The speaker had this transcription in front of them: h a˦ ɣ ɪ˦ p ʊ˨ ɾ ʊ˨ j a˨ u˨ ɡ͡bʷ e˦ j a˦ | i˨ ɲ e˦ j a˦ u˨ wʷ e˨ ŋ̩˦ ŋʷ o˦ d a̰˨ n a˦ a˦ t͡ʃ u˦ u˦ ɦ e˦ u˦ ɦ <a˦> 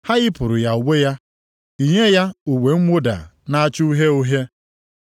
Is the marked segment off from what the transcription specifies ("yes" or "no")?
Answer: yes